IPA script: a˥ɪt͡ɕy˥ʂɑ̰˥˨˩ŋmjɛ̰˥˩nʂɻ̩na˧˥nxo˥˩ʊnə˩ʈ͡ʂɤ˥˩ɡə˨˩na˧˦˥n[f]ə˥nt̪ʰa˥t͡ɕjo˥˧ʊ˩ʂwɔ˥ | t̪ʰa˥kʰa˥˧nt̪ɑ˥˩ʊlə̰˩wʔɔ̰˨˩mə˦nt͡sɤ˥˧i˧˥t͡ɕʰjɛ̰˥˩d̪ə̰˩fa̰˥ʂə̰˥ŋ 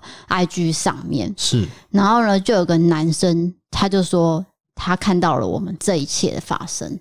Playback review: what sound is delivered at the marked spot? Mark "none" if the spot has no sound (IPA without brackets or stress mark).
ʂ